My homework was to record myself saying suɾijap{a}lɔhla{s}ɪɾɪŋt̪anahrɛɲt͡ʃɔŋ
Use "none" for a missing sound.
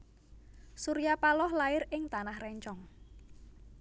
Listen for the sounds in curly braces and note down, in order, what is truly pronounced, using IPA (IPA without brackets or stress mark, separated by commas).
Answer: a, none